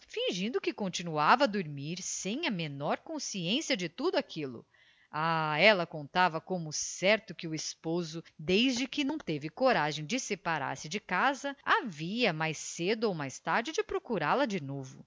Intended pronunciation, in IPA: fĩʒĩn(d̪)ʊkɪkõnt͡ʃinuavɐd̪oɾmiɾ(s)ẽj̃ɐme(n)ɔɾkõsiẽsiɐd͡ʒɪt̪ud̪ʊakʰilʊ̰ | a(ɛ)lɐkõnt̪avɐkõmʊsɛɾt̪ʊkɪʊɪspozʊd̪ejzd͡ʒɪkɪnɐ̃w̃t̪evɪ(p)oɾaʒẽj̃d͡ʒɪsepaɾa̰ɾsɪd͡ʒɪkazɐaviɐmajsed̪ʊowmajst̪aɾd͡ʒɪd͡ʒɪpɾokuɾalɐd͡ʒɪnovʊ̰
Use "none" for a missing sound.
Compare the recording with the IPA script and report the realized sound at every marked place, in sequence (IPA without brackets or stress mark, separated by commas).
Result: d̪, s, n, ɛ, k